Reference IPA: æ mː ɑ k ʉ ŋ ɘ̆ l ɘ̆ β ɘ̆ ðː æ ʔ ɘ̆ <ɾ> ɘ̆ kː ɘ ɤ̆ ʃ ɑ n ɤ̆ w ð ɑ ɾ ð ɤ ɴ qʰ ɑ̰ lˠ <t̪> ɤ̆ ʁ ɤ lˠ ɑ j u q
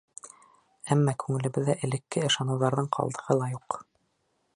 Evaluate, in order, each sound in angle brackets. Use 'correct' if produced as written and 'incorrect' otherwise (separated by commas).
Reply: incorrect, incorrect